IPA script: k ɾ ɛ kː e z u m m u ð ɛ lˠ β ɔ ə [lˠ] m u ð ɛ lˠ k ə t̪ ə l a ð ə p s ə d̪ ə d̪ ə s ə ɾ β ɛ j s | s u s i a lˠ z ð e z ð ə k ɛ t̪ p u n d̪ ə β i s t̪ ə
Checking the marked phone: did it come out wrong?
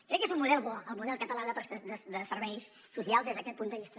no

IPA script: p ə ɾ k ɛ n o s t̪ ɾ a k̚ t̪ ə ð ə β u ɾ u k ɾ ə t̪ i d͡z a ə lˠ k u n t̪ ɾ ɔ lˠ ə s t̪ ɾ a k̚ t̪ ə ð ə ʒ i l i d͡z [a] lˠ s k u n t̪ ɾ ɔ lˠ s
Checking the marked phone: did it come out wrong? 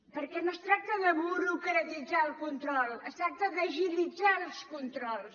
no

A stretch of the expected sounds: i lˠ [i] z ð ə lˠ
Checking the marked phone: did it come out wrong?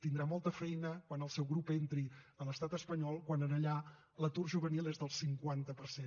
yes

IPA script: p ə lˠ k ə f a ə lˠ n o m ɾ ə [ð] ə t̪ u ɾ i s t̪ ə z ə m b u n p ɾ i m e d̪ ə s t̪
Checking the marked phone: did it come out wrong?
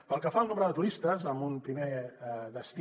no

